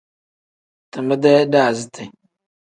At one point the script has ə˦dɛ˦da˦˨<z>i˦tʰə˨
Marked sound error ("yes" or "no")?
no